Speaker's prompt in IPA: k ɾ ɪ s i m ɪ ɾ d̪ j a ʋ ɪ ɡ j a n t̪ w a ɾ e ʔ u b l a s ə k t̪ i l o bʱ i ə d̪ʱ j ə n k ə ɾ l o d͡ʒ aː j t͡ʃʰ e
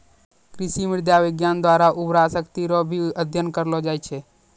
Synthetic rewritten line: k ɾ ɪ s i m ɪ ɾ d̪ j a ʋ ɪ ɡ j a n d̪ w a ɾ a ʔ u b ɾ a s ə k t̪ i ɾ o bʱ i ə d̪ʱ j ə n k ə ɾ l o d͡ʒ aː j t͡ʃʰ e